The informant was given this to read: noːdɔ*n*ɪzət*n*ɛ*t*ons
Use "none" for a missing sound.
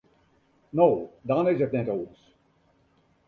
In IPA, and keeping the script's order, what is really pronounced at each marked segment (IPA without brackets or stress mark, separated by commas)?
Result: n, n, t